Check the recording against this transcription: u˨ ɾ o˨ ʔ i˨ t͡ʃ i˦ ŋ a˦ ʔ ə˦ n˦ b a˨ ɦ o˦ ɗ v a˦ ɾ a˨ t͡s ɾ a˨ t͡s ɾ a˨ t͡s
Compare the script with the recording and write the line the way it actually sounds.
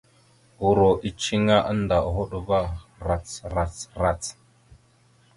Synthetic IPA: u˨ ɾ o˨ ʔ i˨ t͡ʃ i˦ ŋ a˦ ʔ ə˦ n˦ d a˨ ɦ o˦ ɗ v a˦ ɾ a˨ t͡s ɾ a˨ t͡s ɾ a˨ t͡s